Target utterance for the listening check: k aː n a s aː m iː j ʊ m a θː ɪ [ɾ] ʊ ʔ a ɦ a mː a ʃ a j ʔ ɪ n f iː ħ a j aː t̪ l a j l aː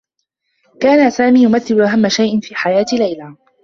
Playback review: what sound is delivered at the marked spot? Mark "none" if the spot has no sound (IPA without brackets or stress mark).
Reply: l